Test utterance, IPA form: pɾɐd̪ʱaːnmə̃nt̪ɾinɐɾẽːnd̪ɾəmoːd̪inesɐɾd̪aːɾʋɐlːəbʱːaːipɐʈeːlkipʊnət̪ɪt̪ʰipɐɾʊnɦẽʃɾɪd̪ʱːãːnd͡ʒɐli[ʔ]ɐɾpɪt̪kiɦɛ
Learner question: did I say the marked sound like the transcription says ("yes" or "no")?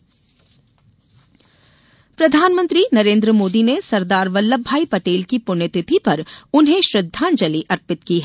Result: yes